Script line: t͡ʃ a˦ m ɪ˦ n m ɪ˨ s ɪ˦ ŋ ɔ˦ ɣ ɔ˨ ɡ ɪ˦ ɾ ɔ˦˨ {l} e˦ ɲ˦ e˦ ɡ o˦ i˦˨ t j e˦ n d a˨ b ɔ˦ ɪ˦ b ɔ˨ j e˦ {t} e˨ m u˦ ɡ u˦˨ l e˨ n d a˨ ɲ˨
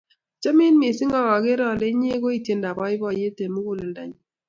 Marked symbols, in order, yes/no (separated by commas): yes, yes